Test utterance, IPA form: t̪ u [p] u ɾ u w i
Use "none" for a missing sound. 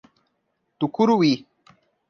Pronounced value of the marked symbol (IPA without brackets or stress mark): k